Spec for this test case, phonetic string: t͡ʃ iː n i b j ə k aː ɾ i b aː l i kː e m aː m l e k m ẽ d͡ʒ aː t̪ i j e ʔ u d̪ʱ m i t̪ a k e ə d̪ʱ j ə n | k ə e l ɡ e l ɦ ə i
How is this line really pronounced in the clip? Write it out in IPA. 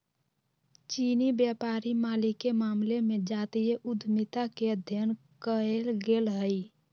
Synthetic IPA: t͡ʃ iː n i b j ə p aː ɾ i m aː l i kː e m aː m l e m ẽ d͡ʒ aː t̪ i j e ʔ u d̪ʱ m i t̪ a k e ə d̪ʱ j ə n | k ə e l ɡ e l ɦ ə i